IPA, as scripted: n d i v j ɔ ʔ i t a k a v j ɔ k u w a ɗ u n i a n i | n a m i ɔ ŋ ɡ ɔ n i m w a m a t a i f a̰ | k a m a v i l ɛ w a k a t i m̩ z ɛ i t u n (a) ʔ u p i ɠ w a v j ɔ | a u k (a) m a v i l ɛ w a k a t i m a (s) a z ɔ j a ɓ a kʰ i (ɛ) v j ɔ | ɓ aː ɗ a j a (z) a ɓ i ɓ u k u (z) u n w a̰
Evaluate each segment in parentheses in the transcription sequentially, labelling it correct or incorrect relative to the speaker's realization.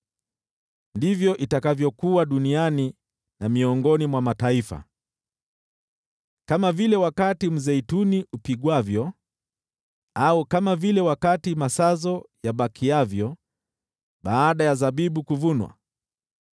incorrect, correct, correct, incorrect, correct, incorrect

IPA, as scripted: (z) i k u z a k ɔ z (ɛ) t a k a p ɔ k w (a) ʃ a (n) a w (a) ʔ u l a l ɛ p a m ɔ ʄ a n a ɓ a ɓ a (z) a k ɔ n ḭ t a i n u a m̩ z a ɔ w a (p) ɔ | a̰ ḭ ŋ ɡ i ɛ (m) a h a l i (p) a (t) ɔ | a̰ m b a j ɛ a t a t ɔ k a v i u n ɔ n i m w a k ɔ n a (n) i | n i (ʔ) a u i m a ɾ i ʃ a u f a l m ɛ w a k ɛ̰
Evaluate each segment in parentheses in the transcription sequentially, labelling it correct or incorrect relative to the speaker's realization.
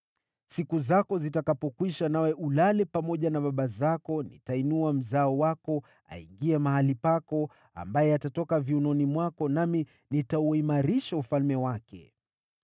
incorrect, incorrect, incorrect, correct, incorrect, correct, incorrect, correct, correct, incorrect, incorrect, incorrect

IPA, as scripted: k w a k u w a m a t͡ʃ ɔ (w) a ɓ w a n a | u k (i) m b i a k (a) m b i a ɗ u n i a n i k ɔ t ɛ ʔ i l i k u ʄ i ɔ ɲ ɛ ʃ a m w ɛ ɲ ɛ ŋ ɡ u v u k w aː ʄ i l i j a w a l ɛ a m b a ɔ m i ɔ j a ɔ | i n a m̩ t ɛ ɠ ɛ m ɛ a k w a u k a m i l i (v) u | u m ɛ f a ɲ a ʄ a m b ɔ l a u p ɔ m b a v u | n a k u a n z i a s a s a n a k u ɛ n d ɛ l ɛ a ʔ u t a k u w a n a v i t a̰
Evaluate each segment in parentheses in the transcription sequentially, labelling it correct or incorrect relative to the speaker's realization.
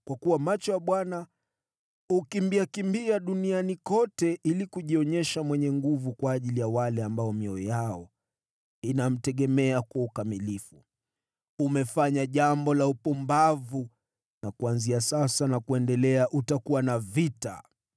correct, correct, incorrect, incorrect

